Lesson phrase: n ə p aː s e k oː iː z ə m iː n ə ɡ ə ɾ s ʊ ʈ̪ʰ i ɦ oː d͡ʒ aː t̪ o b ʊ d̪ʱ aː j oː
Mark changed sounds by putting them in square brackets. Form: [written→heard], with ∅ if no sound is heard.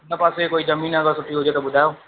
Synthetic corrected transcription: n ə p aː s e k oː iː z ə m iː n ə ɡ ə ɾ s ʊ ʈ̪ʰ i ɦ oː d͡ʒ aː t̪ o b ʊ d̪ʱ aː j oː